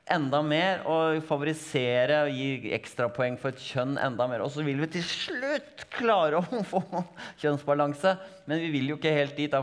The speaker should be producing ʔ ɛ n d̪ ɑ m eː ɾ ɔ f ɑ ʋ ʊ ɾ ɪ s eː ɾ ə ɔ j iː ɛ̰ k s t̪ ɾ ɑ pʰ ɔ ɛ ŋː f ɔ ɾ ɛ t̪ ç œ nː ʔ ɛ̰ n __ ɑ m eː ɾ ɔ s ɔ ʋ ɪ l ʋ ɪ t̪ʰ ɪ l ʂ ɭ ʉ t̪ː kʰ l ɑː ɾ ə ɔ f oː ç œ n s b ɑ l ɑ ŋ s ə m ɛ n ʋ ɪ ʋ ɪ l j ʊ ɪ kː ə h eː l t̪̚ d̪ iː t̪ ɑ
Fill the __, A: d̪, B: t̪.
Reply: A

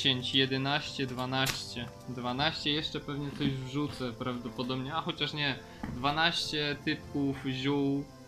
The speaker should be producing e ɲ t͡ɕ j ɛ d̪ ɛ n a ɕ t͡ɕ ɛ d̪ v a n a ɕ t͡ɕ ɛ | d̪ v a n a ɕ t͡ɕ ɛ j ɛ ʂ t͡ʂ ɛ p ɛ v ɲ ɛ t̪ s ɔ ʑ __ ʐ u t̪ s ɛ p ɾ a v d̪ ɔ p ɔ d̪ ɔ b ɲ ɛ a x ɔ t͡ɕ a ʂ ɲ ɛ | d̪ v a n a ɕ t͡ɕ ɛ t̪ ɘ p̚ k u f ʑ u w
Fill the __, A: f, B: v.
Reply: B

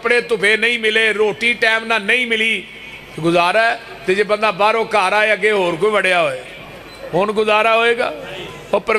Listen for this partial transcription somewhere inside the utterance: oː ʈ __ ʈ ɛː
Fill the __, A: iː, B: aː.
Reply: A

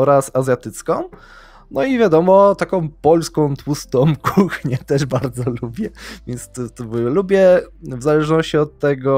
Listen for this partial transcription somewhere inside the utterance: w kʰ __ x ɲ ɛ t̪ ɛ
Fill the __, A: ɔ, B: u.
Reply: B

